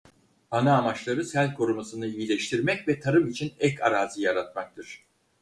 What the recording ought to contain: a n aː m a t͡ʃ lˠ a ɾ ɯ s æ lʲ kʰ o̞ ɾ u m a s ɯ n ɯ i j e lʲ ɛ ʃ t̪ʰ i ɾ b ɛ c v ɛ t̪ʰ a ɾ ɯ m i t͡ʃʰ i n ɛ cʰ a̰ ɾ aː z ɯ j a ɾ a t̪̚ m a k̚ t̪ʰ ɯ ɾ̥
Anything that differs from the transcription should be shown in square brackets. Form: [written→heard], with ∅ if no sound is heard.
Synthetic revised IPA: a n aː m a t͡ʃ lˠ a ɾ ɯ s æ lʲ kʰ o̞ ɾ u m a s ɯ n ɯ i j [e→i] lʲ ɛ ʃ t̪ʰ i ɾ [b→m] ɛ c v ɛ t̪ʰ a ɾ ɯ m i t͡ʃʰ i n ɛ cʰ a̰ ɾ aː z ɯ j a ɾ a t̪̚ m a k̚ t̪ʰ ɯ ɾ̥